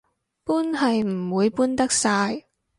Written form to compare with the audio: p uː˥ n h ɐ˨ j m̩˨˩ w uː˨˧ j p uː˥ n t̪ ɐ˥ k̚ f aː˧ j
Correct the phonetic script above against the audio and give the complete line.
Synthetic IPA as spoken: p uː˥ n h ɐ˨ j m̩˨˩ w uː˨˧ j p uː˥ n t̪ ɐ˥ k̚ s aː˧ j